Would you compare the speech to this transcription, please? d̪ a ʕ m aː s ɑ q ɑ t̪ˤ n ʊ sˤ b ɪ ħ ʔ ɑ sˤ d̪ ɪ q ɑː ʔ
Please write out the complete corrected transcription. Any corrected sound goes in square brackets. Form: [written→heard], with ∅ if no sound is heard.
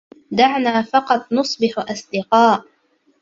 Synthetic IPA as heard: d̪ a ʕ [m→n] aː [s→f] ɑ q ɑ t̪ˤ n ʊ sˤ b ɪ ħ ʔ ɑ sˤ d̪ ɪ q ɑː ʔ